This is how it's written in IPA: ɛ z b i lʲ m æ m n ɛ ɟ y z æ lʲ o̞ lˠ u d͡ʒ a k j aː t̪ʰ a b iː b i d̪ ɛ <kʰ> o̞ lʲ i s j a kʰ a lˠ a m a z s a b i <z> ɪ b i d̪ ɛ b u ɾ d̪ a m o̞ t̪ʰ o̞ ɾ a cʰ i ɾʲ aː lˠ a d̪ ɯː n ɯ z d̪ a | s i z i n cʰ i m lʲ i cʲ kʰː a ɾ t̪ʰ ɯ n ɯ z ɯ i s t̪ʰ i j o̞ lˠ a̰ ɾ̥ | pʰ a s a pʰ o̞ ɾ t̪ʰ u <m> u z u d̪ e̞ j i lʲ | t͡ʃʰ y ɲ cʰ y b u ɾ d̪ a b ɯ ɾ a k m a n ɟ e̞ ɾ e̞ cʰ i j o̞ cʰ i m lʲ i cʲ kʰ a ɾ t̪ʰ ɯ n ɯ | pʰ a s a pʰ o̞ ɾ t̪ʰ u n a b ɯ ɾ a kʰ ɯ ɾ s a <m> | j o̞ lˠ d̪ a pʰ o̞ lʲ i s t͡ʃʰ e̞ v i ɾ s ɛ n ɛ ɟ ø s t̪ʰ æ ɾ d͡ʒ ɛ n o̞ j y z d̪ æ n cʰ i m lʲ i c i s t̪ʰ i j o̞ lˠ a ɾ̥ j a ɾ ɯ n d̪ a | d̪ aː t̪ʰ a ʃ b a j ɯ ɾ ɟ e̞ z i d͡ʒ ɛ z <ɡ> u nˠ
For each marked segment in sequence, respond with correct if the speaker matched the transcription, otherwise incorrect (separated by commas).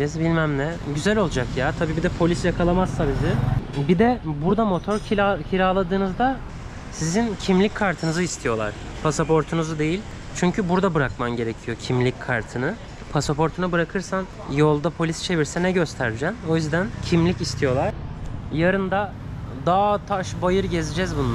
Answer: incorrect, correct, incorrect, incorrect, incorrect